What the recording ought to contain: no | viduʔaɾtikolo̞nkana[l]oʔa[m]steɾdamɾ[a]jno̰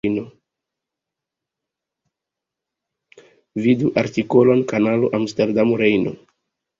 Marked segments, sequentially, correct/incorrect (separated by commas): correct, correct, incorrect